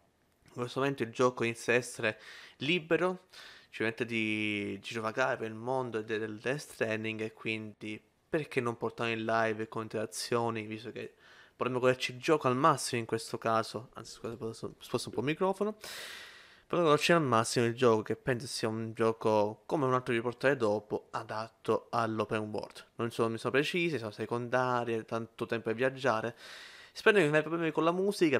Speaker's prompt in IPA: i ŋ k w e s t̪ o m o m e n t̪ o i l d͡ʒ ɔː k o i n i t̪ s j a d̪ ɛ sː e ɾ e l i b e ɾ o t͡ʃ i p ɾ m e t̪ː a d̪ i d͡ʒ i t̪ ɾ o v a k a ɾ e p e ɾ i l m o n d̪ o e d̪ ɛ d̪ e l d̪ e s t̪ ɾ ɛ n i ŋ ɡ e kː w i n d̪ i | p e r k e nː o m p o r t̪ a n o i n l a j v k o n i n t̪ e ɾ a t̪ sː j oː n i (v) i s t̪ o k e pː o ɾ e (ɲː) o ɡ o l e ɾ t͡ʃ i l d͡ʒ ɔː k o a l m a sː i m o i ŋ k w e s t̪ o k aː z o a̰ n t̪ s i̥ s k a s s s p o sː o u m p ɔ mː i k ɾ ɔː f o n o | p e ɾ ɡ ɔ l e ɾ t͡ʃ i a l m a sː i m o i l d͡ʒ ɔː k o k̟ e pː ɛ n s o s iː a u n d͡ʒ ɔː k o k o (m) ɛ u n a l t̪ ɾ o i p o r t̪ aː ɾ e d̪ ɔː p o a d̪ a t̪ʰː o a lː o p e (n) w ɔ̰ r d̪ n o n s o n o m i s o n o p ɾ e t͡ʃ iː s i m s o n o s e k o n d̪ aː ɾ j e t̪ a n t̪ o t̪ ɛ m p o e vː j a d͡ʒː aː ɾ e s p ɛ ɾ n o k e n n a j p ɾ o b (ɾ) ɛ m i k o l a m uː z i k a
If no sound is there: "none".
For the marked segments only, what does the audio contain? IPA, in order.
v, mː, m, n, l

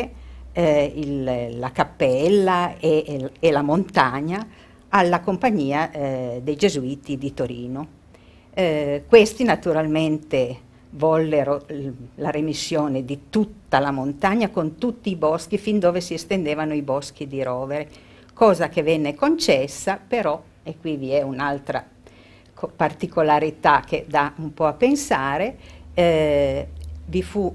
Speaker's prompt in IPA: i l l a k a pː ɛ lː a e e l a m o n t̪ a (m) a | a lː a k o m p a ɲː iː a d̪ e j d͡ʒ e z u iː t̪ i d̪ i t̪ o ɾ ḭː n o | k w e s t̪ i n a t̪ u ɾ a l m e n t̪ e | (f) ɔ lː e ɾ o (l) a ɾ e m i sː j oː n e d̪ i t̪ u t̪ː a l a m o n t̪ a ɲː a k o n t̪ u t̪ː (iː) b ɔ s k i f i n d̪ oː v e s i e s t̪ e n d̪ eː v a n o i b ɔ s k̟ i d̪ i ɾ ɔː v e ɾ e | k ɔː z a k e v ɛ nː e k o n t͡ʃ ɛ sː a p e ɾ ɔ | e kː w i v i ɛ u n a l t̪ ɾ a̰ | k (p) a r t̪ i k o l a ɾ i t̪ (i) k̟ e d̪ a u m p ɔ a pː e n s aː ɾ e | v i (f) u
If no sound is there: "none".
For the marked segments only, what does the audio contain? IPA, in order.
ɲ, v, l, iː, p, a, f

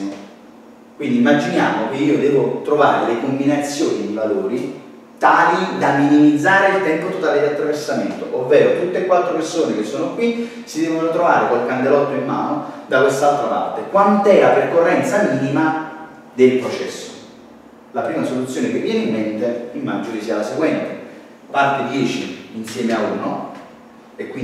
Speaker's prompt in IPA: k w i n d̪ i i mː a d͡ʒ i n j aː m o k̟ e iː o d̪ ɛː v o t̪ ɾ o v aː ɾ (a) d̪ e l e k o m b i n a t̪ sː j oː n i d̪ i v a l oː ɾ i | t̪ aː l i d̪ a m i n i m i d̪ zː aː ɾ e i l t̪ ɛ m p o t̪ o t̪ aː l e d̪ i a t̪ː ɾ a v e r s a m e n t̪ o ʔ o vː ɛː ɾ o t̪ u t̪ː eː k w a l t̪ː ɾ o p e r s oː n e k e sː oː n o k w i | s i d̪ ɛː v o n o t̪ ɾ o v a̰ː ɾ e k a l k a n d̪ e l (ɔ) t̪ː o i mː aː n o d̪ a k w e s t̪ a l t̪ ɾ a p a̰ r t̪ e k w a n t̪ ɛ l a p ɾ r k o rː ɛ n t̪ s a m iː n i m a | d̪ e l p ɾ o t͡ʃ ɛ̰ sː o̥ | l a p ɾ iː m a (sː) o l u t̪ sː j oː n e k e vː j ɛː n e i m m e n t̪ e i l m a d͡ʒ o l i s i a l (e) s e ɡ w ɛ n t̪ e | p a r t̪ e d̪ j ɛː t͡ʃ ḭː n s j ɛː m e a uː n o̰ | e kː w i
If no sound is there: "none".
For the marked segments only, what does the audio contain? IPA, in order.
e, ɔ, s, a

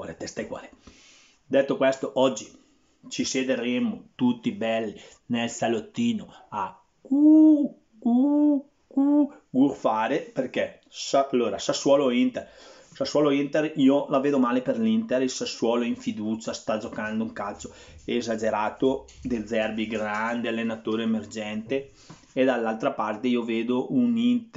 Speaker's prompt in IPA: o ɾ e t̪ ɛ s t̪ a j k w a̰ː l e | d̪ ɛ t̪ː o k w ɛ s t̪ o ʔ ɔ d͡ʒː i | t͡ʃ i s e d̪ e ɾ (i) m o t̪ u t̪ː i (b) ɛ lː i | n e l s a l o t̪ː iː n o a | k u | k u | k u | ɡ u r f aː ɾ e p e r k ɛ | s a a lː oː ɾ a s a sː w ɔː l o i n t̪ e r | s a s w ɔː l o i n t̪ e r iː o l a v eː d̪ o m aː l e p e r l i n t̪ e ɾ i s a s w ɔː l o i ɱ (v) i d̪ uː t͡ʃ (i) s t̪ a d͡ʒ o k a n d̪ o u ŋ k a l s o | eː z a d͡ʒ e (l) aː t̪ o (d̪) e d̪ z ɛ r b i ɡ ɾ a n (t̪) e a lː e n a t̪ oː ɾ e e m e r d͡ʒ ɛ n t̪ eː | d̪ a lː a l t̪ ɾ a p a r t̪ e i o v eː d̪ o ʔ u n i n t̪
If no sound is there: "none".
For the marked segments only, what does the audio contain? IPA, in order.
e, b, f, a, ɾ, d̪, d̪

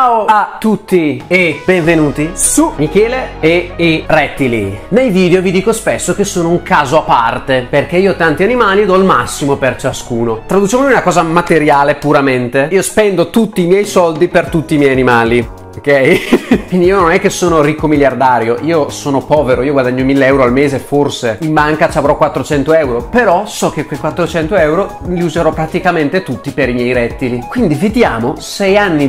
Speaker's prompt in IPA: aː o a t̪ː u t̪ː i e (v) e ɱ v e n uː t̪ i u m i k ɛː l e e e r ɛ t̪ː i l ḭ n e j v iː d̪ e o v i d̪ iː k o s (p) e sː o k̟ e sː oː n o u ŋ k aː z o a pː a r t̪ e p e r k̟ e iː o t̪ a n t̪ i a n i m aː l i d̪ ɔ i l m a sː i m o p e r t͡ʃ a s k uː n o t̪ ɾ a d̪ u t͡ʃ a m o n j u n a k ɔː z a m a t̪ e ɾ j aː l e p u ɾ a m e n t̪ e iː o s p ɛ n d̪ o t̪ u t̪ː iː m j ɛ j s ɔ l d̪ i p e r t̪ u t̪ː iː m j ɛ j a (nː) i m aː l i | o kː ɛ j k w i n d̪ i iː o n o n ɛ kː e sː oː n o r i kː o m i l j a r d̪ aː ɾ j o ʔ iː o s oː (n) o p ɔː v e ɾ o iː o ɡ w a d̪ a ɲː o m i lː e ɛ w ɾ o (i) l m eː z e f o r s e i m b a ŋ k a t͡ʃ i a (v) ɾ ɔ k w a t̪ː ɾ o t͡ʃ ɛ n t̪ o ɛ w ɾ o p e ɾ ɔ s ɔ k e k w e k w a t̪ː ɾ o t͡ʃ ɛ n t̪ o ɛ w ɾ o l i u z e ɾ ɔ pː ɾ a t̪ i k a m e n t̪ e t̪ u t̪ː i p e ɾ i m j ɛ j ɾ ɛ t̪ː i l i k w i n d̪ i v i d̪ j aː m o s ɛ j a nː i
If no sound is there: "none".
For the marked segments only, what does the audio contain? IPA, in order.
b, p, n, n, a, v

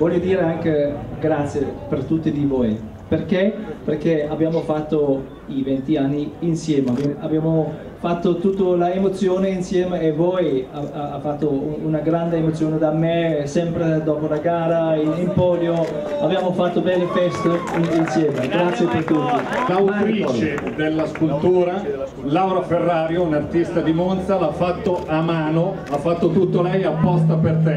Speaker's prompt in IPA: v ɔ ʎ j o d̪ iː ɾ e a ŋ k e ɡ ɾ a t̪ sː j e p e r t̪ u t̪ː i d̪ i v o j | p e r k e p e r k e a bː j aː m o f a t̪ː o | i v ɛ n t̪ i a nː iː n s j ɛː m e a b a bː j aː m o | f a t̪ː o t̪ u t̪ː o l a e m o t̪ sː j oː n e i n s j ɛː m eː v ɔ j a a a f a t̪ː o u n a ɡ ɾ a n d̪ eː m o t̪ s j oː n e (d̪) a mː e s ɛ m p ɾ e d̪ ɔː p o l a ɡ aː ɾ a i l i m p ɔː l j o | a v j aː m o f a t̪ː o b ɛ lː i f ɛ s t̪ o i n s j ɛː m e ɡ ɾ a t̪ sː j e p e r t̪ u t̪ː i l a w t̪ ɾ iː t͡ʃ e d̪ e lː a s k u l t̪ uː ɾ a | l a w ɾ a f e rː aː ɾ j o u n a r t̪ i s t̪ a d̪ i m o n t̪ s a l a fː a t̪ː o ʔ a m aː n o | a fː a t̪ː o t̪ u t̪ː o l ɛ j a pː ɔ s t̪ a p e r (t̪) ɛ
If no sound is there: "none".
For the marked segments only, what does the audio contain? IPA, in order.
d̪, t̪

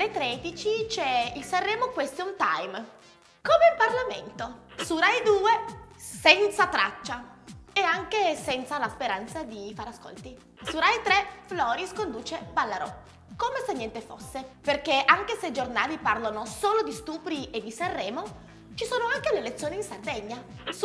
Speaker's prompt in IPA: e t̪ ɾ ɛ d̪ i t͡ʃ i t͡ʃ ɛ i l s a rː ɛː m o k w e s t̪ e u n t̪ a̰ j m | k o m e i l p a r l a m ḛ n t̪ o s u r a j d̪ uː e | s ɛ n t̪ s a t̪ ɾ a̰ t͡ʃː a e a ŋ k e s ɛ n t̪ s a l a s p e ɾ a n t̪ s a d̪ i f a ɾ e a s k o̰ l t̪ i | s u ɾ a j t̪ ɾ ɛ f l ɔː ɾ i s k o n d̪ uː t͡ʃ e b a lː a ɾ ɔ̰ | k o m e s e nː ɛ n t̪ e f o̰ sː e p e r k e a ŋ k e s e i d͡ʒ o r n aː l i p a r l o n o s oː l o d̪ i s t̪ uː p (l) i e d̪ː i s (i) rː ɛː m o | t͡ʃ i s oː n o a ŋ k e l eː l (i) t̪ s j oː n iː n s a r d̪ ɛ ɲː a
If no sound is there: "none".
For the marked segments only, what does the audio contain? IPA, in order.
ɾ, a, e

